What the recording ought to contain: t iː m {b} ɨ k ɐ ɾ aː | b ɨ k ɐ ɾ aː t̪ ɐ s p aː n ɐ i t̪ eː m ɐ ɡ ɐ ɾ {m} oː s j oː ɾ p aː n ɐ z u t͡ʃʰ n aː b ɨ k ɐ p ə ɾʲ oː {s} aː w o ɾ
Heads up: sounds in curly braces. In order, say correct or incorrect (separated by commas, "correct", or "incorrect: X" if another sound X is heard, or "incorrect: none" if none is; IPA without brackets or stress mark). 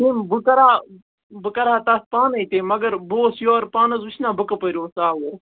correct, incorrect: b, correct